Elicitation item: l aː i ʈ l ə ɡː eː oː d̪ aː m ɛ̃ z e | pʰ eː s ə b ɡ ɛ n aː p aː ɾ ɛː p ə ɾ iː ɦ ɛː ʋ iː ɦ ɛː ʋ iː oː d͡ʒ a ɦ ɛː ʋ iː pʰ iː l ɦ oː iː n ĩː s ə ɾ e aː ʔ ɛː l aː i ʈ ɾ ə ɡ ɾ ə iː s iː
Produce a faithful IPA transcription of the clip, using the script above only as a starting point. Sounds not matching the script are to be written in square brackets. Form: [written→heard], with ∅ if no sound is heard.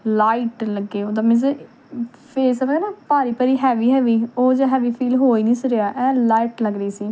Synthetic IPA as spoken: l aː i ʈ l ə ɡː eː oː d̪ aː m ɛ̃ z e | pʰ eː s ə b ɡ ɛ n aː p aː ɾ [ɛː→iː] p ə ɾ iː ɦ ɛː ʋ iː ɦ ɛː ʋ iː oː d͡ʒ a ɦ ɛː ʋ iː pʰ iː l ɦ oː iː n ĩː s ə ɾ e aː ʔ ɛː l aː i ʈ [ɾ→l] ə ɡ ɾ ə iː s iː